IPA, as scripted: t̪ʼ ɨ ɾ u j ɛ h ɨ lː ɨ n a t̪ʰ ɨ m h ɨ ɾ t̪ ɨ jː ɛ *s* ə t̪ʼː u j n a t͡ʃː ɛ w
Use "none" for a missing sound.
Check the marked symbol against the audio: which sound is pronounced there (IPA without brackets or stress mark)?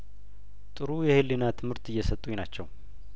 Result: s